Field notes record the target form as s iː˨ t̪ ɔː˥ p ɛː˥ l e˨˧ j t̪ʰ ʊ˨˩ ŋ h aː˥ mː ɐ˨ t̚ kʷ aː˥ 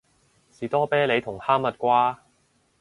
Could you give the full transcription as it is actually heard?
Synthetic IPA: s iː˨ t̪ ɔː˥ p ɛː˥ l e˨˧ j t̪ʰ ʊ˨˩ ŋ h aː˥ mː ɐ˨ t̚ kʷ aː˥